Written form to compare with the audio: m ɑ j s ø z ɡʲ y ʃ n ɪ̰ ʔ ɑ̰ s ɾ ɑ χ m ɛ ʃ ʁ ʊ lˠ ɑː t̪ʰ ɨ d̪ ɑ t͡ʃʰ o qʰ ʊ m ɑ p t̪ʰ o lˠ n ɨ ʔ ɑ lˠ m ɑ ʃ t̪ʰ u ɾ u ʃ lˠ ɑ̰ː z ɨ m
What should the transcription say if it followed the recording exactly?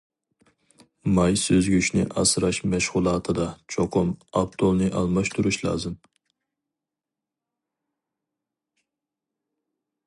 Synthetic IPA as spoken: m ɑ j s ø z ɡʲ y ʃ n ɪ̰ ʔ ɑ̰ s ɾ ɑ ʃ m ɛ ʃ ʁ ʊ lˠ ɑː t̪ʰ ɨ d̪ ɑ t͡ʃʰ o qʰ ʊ m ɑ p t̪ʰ o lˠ n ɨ ʔ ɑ lˠ m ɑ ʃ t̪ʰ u ɾ u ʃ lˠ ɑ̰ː z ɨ m